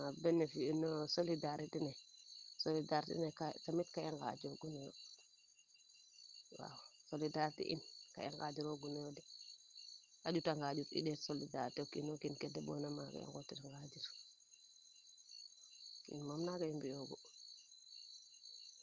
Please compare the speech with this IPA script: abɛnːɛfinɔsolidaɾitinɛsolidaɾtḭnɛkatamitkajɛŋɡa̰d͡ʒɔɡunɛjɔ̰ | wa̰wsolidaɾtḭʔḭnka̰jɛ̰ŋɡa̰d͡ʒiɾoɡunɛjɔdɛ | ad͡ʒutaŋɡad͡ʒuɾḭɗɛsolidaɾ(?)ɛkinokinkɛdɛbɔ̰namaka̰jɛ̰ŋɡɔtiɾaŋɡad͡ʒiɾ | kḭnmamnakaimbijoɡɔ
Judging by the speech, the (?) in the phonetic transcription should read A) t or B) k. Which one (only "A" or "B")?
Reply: A